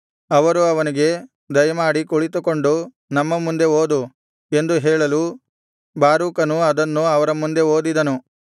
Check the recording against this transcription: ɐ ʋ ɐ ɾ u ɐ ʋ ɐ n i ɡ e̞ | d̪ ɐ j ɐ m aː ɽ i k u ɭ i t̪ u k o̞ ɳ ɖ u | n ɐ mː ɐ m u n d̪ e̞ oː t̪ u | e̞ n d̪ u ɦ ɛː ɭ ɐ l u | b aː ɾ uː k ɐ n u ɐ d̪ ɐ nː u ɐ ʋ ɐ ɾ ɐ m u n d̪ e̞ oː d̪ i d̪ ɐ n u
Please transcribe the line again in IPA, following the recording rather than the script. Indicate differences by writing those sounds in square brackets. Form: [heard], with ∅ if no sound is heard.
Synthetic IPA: ɐ ʋ ɐ ɾ u ɐ ʋ ɐ n i ɡ e̞ | d̪ ɐ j ɐ m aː ɽ i k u ɭ i t̪ u k o̞ ɳ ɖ u | n ɐ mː ɐ m u n d̪ e̞ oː [d̪] u | e̞ n d̪ u ɦ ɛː ɭ ɐ l u | b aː ɾ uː k ɐ n u ɐ d̪ ɐ nː u ɐ ʋ ɐ ɾ ɐ m u n d̪ e̞ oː d̪ i d̪ ɐ n u